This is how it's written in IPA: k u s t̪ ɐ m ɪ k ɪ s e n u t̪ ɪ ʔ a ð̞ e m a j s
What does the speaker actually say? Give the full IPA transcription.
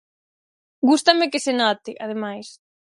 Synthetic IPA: ɡ u s t̪ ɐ m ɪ k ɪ s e n ɔ t̪ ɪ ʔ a ð̞ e m a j s